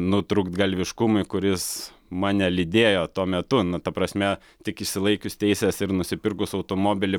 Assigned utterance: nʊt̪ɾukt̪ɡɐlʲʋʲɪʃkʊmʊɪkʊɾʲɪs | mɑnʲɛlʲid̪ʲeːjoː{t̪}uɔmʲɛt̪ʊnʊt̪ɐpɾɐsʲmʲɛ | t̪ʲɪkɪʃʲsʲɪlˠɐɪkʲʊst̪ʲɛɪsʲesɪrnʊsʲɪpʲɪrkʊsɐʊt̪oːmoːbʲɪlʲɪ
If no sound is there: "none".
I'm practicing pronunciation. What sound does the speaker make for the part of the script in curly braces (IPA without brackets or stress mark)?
t̪